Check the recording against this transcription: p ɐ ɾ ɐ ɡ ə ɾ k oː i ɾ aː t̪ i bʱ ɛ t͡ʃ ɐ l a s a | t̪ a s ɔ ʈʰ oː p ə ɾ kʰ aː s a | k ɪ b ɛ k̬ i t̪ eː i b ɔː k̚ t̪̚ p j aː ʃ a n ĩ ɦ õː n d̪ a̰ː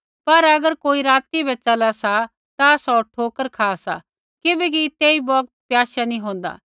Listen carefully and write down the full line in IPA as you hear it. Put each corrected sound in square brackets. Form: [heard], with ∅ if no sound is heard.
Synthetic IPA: p ɐ ɾ ɐ ɡ ə ɾ k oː i ɾ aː t̪ i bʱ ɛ t͡ʃ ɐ l a s a | t̪ a s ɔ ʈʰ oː [k] ə ɾ kʰ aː s a | k ɪ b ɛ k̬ i t̪ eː i b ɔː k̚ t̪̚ p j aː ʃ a n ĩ ɦ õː n d̪ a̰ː

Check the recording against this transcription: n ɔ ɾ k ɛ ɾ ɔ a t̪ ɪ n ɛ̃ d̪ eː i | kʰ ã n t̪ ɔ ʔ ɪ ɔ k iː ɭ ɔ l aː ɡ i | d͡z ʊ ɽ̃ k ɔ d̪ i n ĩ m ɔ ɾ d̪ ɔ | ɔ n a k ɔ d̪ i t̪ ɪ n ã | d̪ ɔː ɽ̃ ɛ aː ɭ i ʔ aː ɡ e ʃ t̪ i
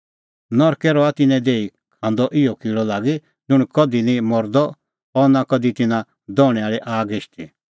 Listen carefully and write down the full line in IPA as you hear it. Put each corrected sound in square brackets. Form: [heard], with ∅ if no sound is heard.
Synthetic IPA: n ɔ ɾ k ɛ ɾ ɔ a t̪ ɪ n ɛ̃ d̪ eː i | kʰ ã n [d̪] ɔ ʔ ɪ ɔ k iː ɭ ɔ l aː ɡ i | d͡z ʊ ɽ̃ k ɔ d̪ i n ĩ m ɔ ɾ d̪ ɔ | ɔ n a k ɔ d̪ i t̪ ɪ n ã | d̪ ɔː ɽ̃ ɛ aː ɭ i ʔ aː ɡ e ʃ t̪ i

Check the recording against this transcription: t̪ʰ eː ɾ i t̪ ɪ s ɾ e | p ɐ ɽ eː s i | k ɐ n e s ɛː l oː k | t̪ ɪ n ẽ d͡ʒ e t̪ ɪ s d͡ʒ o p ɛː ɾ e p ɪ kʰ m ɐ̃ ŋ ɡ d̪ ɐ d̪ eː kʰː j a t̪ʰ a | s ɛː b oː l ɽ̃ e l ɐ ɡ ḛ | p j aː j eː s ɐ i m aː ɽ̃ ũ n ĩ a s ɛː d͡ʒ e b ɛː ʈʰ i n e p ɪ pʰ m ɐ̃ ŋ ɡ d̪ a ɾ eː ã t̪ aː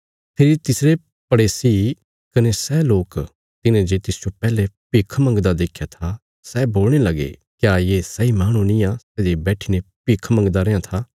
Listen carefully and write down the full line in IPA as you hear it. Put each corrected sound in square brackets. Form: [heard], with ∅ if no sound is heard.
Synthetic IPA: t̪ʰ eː ɾ i t̪ ɪ s ɾ e | p ɐ ɽ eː s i | k ɐ n e s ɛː l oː k | t̪ ɪ n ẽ d͡ʒ e t̪ ɪ s d͡ʒ o p ɛː [l] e p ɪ kʰ m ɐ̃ ŋ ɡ d̪ [a] d̪ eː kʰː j a t̪ʰ a | s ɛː b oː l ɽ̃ e l ɐ ɡ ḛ | [k] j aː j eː s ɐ i m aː ɽ̃ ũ n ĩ a s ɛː d͡ʒ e b ɛː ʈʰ i n e p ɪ [kʰ] m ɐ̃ ŋ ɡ d̪ a ɾ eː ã [t̪ʰ] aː

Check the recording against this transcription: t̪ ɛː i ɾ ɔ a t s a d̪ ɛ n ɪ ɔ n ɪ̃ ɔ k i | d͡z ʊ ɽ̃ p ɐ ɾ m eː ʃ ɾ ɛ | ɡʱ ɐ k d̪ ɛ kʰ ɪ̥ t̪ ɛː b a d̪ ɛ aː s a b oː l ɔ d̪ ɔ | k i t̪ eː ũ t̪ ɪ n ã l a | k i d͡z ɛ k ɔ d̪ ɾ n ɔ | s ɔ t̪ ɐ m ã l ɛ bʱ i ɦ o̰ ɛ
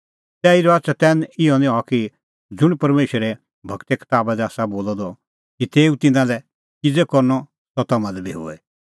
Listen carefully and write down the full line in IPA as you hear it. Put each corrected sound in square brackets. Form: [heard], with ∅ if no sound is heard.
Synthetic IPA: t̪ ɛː i ɾ ɔ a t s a [t̪] ɛ n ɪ ɔ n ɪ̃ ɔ k i | d͡z ʊ ɽ̃ p ɐ ɾ m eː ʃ ɾ ɛ | [bʱ] ɐ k [t̪] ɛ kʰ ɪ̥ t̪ [aː] b a d̪ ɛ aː s a b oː l ɔ d̪ ɔ | k i t̪ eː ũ t̪ ɪ n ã l [ɛ] | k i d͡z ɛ k ɔ [∅] ɾ n ɔ | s ɔ t̪ ɐ m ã l ɛ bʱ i ɦ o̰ ɛ

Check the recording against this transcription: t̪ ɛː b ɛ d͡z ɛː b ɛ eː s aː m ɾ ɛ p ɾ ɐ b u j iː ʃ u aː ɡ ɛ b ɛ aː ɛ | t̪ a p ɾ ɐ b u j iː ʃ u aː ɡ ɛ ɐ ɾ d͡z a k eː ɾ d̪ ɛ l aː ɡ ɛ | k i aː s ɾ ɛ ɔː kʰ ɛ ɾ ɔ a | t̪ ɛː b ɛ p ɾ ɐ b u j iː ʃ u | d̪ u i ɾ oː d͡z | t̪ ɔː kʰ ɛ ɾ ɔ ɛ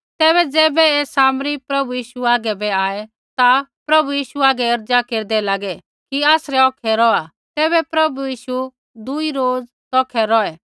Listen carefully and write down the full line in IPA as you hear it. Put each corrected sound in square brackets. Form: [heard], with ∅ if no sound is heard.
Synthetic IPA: t̪ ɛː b ɛ d͡z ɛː b ɛ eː s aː m ɾ [i] p ɾ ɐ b u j iː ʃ u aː ɡ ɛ b ɛ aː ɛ | t̪ a p ɾ ɐ b u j iː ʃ u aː ɡ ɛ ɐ ɾ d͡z a k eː ɾ d̪ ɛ l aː ɡ ɛ | k i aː s ɾ ɛ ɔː kʰ ɛ ɾ ɔ a | t̪ ɛː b ɛ p ɾ ɐ b u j iː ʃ u | d̪ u i ɾ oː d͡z | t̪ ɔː kʰ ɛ ɾ ɔ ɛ

